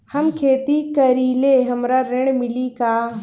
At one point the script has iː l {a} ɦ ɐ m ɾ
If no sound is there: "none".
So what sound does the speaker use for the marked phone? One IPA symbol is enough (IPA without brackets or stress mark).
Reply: e